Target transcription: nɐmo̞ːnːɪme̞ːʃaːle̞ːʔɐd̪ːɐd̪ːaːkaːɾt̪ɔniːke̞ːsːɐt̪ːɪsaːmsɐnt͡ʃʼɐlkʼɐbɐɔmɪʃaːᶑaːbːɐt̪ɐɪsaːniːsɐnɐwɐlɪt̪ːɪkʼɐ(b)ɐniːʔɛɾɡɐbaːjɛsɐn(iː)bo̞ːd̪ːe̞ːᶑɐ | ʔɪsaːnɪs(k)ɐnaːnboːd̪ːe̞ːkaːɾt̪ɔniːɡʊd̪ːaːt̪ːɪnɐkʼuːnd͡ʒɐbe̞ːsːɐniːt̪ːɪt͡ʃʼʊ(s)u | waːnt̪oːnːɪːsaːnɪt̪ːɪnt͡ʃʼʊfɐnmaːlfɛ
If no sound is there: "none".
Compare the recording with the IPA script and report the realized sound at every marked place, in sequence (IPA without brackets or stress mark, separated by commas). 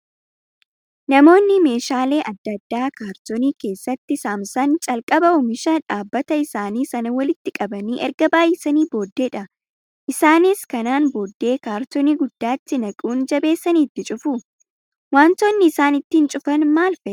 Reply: b, iː, k, f